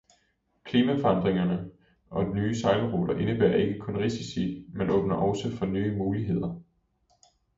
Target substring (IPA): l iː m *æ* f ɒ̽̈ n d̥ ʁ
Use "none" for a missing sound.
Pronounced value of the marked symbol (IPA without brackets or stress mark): æ